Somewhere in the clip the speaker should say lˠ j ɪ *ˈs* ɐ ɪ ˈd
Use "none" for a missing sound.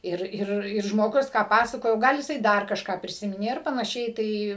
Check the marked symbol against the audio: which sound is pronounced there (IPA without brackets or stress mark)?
s